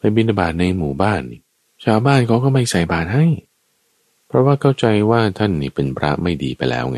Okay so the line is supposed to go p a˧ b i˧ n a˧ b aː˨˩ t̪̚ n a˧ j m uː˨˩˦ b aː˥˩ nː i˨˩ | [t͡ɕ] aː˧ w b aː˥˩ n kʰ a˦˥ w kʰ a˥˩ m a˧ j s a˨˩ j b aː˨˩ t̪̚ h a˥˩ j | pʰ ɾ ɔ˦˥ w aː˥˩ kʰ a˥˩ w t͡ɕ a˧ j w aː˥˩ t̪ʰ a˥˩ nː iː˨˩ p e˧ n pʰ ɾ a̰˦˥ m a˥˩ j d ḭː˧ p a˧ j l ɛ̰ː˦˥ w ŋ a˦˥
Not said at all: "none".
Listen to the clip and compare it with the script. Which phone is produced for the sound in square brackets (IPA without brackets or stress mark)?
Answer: t͡ɕʰ